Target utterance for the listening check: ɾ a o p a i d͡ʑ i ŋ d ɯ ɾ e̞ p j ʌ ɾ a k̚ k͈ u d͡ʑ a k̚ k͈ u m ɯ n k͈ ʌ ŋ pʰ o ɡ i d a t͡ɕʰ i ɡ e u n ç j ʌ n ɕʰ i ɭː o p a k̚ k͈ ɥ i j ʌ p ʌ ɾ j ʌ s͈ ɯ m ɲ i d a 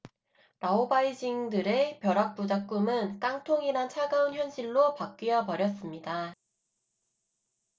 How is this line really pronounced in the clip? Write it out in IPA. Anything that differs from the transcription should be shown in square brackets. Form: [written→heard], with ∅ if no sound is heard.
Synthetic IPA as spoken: ɾ a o [p→b] a i d͡ʑ i ŋ d ɯ ɾ e̞ p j ʌ ɾ a k̚ [k͈→p͈] u d͡ʑ a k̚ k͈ u m ɯ n k͈ [ʌ→a] ŋ [pʰ→tʰ] o [ɡ→ŋ] i [d→n] a t͡ɕʰ [i→a] ɡ [e→a] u n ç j ʌ n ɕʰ i ɭː o p a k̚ k͈ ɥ i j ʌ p ʌ ɾ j ʌ s͈ ɯ m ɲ i d a